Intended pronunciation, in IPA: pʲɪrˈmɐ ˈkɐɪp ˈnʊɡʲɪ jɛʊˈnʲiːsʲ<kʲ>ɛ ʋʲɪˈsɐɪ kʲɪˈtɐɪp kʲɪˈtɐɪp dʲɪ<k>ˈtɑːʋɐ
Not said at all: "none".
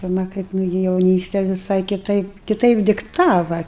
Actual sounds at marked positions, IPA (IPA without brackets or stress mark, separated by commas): tʲ, k